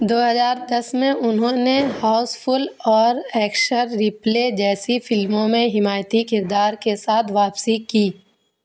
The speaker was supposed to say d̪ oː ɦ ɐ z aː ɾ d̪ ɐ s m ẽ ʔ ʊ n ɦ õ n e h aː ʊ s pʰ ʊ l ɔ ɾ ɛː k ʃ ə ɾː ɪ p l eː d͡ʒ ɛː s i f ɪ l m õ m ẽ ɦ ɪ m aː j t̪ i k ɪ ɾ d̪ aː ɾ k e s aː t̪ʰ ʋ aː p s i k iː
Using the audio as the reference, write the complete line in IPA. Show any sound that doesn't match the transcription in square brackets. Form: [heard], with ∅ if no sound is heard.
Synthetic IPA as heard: d̪ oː ɦ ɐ z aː ɾ d̪ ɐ s m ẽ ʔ ʊ n ɦ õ n e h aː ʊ s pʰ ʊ l [ɔː] ɾ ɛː k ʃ ə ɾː ɪ p l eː d͡ʒ ɛː s i f ɪ l m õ m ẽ ɦ ɪ m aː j t̪ i k ɪ ɾ d̪ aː ɾ k e s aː t̪ʰ ʋ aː p s i k iː